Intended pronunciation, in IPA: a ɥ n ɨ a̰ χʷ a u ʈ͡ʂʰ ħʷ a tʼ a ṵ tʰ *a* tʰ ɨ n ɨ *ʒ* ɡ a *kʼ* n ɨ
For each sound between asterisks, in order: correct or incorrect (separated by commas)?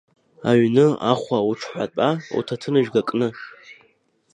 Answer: correct, correct, correct